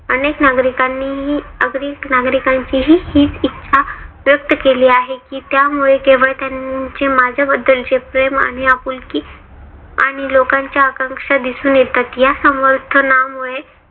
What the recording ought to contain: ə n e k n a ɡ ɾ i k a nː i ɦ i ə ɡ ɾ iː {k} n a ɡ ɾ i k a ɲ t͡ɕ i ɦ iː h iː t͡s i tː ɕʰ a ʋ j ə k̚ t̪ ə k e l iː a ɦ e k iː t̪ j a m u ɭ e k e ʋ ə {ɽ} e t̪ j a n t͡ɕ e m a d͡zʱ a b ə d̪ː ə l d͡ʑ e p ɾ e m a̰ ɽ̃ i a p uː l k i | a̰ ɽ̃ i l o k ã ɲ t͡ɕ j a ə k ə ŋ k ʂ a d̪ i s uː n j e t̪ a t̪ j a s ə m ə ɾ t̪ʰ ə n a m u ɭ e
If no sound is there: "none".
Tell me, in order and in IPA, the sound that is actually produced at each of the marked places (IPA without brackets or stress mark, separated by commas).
k, ɭ